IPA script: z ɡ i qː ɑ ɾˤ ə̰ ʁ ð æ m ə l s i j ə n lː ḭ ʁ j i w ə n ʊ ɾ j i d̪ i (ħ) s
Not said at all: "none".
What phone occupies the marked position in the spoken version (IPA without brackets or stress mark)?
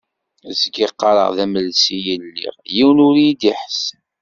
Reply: ħ